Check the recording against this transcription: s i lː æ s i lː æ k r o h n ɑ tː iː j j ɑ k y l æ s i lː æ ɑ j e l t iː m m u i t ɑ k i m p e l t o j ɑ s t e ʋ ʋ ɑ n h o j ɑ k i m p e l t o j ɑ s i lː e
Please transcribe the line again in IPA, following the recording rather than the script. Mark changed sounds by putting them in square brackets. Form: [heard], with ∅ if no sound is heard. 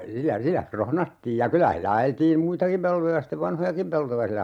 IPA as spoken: s i lː æ s i lː æ k r o h n ɑ tː iː j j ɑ k y l æ [h] i lː æ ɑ j e l t iː m m u i t ɑ k i m p e l t o j ɑ s t e ʋ ʋ ɑ n h o j ɑ k i m p e l t o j ɑ s i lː [æ]